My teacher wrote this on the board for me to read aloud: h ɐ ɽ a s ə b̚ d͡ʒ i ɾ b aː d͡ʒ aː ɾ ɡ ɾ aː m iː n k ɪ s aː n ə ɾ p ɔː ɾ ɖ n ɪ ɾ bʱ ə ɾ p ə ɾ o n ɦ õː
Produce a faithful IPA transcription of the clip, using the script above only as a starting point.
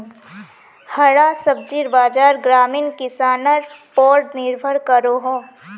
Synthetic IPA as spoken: h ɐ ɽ a s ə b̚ d͡ʒ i ɾ b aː d͡ʒ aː ɾ ɡ ɾ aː m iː n k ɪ s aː n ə ɾ p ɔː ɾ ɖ n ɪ ɾ bʱ ə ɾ k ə ɾ o ɦ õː